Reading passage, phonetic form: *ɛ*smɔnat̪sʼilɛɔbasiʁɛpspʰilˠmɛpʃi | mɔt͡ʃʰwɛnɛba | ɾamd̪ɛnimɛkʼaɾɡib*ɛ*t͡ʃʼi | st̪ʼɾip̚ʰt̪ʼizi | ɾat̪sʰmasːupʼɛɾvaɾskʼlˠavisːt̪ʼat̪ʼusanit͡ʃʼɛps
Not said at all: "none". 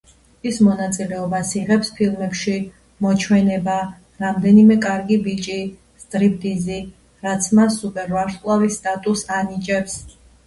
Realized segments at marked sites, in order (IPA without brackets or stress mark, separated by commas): i, i